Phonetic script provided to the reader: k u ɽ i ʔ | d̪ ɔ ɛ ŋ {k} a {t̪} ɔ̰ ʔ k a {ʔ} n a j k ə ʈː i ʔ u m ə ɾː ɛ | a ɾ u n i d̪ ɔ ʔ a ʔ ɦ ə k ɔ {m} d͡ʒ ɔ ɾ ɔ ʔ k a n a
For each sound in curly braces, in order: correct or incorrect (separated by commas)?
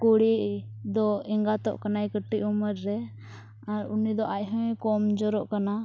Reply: incorrect, correct, incorrect, correct